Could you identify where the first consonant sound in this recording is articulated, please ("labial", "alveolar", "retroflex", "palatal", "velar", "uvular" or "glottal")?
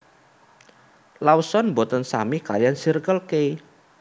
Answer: alveolar